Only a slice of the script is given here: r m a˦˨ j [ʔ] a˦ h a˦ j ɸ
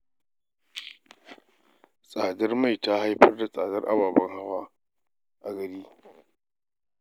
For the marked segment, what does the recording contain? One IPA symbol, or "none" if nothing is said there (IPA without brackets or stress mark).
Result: t